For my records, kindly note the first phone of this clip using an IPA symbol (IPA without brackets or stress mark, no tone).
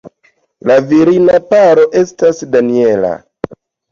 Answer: l